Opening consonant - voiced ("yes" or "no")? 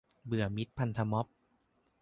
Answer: yes